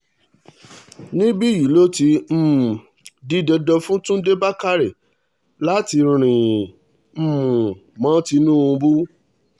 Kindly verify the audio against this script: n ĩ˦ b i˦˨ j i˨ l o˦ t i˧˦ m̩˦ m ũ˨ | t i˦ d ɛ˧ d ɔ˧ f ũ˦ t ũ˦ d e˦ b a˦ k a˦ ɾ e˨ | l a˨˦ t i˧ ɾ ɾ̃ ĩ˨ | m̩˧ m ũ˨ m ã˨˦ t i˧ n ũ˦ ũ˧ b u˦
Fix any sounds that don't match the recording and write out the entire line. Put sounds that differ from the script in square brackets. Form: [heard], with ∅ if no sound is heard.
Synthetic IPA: n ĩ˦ b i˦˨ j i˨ l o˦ t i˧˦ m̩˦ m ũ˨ | [d] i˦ d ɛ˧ d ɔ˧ f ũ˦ t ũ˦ d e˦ b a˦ k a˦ ɾ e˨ | l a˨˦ t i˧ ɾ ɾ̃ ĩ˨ | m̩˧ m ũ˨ m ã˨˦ t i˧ n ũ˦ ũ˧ b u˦